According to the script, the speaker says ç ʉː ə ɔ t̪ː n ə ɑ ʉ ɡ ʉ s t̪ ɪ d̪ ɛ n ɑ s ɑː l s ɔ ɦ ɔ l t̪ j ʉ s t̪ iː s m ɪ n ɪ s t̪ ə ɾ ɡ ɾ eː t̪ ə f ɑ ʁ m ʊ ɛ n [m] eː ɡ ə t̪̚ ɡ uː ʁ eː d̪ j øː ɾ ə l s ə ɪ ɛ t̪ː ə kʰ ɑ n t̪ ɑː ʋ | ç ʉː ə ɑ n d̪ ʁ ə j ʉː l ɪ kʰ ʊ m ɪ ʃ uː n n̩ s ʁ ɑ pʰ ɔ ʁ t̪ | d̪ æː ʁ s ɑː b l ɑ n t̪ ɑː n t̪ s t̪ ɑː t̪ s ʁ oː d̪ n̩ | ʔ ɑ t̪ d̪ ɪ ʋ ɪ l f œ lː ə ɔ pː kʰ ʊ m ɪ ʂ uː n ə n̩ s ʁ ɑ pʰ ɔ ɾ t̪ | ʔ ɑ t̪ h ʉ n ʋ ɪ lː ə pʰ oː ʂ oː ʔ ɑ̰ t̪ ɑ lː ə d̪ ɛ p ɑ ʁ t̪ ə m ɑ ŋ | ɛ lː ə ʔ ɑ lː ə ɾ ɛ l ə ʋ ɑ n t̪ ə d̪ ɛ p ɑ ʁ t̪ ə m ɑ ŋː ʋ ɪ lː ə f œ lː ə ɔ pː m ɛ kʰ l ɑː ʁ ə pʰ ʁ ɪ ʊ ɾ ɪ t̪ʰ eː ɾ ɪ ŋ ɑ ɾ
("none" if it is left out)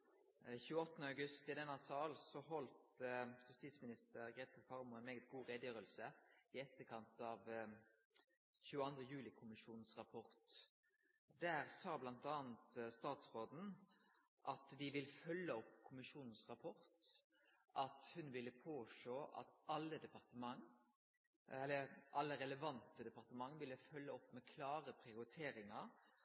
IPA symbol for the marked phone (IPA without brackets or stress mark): m